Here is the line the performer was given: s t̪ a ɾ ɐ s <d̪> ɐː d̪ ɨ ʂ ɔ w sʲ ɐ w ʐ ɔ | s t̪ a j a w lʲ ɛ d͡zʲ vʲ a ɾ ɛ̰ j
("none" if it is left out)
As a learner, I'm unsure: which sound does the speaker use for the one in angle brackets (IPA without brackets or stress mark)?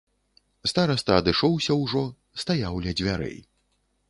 t̪